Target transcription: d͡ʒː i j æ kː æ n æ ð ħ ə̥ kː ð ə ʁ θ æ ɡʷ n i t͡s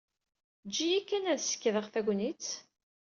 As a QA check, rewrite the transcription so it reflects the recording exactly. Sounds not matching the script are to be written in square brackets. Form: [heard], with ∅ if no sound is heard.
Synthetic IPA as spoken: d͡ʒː i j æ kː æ n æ ð [s] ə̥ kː ð ə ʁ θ æ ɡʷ n i t͡s